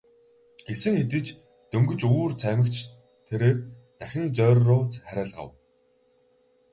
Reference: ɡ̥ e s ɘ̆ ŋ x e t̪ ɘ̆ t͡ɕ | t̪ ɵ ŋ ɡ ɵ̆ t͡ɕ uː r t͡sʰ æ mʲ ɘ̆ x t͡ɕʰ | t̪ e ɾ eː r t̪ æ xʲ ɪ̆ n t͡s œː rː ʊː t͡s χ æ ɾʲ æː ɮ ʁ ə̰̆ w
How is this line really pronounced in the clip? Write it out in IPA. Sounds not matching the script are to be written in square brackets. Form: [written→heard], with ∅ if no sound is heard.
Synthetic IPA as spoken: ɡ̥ e s ɘ̆ ŋ x e t̪ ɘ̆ t͡ɕ | t̪ ɵ ŋ ɡ ɵ̆ t͡ɕ uː r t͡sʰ æ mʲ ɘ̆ [x→k] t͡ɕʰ | [t̪→t̪ʰ] e ɾ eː r t̪ æ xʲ ɪ̆ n t͡s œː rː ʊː t͡s χ æ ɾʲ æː ɮ ʁ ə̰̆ w